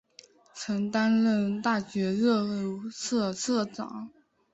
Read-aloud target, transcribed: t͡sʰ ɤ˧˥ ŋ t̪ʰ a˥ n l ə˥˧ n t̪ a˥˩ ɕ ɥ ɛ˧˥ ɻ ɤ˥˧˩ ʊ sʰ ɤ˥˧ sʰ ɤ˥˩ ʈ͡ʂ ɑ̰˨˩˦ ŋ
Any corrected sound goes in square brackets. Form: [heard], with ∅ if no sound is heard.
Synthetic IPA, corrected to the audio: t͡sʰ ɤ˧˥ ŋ [t̪] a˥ n l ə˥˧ n t̪ a˥˩ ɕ ɥ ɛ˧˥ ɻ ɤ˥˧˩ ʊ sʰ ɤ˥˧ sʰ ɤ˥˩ ʈ͡ʂ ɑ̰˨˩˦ ŋ